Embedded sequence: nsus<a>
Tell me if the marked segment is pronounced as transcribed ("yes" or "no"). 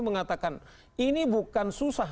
yes